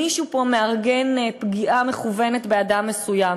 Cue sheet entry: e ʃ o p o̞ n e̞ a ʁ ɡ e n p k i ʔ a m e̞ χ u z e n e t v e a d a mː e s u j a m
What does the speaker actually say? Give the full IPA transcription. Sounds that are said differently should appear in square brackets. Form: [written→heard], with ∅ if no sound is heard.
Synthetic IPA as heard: [e→i] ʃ [o→u] p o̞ [n→m] e̞ a ʁ ɡ e n p [k→ɡ] i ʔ a m e̞ χ u [z→v] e n e t [v→b] e a d a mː e s u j a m